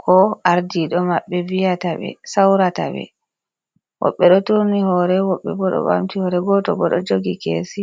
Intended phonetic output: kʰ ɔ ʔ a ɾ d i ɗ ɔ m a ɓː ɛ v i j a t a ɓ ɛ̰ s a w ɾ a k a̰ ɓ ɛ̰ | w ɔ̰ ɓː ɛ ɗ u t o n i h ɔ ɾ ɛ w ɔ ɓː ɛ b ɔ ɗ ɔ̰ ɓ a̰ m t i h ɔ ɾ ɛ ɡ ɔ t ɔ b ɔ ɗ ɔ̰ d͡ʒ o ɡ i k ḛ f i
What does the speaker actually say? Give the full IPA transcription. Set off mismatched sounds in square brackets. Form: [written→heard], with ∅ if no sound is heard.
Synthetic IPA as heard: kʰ ɔ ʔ a ɾ d i ɗ ɔ m a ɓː ɛ v i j a t a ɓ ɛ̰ s a w ɾ a [k→t] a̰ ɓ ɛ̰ | w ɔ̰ ɓː ɛ ɗ [u→ɔ] t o n i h ɔ ɾ ɛ w ɔ ɓː ɛ b ɔ ɗ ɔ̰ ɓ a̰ m t i h ɔ ɾ ɛ ɡ ɔ t ɔ b ɔ ɗ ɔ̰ d͡ʒ o ɡ i k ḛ [f→s] i

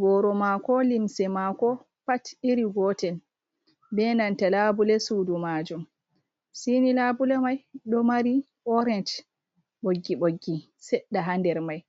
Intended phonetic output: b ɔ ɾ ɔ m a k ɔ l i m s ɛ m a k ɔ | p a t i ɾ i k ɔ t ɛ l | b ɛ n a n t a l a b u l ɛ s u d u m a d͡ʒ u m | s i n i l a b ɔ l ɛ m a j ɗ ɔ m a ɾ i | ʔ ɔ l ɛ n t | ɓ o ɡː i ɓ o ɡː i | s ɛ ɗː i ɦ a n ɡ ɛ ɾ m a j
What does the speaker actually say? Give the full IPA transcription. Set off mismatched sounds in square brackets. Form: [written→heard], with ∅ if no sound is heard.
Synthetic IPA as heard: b ɔ ɾ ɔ m a k ɔ l i m s ɛ m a k ɔ | p a t i ɾ i [k→ɡ] ɔ t ɛ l | b ɛ n a n t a l a b u l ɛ s u d u m a d͡ʒ u m | s i n i l a b [ɔ→u] l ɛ m a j ɗ ɔ m a ɾ i | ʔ ɔ [l→ɾ] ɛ n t | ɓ o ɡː i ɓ o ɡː i | s ɛ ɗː [i→a] ɦ a n [ɡ→d] ɛ ɾ m a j

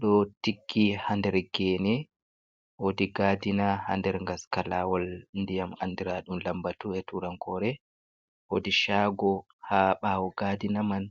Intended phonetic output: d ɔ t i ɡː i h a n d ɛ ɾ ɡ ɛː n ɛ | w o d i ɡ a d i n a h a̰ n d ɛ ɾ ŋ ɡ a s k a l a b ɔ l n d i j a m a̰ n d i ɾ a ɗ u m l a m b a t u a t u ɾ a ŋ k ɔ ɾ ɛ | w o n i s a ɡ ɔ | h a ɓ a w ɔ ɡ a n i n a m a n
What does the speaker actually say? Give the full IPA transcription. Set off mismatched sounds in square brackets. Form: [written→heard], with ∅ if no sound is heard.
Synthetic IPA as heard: [d→ɗ] ɔ t i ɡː i h a n d ɛ ɾ ɡ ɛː n ɛ | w o d i ɡ a d i n a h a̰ n d ɛ ɾ ŋ ɡ a s k a l a [b→w] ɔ l n d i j a m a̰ n d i ɾ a ɗ u m l a m b a t u [a→ɛ] t u ɾ a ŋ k ɔ ɾ ɛ | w o [n→d] i [s→ʃ] a ɡ ɔ | h a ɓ a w ɔ ɡ a [n→d] i n a m a n

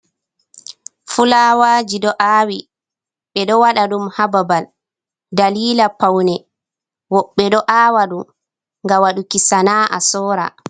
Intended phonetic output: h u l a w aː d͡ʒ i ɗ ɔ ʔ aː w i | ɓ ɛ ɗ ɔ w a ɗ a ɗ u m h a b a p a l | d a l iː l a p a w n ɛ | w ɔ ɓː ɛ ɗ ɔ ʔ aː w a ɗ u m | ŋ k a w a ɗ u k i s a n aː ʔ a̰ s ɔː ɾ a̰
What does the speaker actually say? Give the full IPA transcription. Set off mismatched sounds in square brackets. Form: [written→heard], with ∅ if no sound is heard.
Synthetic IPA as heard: [h→f] u l a w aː d͡ʒ i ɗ ɔ ʔ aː w i | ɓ ɛ ɗ ɔ w a ɗ a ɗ u m h a b a [p→b] a l | d a l iː l a p a w n ɛ | w ɔ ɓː ɛ ɗ ɔ ʔ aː w a ɗ u m | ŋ [k→ɡ] a w a ɗ u k i s a n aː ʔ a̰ s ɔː ɾ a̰

